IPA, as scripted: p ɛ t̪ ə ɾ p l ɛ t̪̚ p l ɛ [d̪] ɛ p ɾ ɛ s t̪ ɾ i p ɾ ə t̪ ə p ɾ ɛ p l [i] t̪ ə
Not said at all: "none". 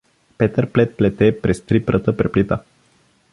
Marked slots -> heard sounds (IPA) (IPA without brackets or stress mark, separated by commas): t̪, i